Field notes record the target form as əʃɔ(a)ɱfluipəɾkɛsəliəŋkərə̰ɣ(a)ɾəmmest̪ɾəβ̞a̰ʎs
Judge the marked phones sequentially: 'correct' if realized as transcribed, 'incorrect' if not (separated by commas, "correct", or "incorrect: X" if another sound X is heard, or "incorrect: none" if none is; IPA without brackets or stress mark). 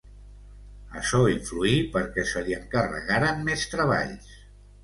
incorrect: i, correct